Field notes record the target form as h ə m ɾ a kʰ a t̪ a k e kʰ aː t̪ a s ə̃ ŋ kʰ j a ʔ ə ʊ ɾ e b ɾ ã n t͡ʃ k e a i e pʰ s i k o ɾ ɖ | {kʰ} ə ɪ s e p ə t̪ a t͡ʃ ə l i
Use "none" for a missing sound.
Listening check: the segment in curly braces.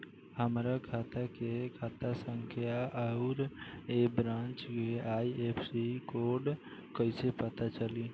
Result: k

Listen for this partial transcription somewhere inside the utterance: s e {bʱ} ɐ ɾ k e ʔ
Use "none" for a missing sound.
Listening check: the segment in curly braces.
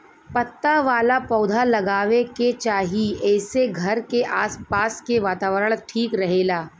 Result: ɡʱ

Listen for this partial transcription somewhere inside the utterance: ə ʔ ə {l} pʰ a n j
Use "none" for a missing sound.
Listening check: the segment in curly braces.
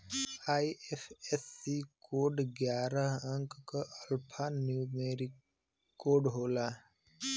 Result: l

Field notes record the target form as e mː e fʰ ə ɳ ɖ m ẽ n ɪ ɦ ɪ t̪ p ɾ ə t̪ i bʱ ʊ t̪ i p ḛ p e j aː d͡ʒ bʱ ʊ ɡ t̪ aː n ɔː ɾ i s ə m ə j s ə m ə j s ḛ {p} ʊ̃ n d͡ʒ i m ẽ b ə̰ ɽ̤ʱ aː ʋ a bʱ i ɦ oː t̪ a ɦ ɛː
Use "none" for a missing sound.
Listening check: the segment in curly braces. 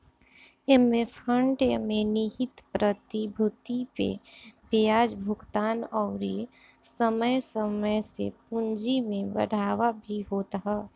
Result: p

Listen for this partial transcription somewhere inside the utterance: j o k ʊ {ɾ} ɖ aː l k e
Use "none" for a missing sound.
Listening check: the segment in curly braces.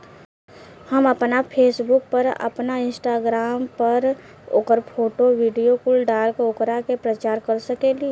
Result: l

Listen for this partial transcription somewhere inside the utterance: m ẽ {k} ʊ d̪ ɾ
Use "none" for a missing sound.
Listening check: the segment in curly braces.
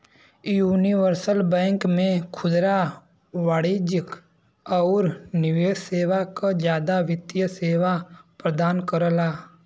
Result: kʰ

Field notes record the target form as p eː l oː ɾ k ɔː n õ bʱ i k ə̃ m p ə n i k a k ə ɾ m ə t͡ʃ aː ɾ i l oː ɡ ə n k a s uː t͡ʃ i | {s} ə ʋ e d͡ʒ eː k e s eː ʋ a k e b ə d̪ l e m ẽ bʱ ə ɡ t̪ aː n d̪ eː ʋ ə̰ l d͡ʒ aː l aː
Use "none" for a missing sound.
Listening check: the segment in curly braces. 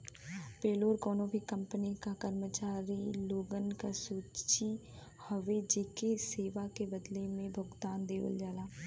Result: h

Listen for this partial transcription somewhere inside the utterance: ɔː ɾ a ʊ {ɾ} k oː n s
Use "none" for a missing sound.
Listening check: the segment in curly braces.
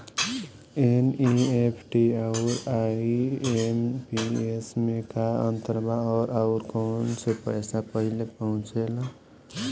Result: ɾ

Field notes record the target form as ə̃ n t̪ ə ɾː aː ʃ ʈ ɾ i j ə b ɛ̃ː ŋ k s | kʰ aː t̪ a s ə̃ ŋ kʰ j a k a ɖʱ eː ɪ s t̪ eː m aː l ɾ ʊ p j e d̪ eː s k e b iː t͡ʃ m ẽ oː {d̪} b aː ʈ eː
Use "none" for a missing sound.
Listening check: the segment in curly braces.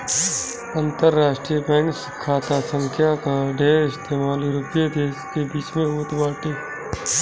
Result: t̪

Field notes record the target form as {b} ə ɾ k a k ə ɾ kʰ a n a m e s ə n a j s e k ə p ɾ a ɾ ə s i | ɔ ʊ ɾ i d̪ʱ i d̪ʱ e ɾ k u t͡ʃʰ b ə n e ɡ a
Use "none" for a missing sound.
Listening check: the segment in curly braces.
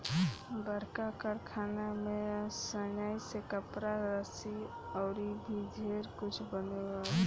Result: b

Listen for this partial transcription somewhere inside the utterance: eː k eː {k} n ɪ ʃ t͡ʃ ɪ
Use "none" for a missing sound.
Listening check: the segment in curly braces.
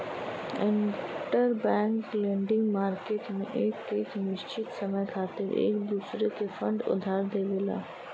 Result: k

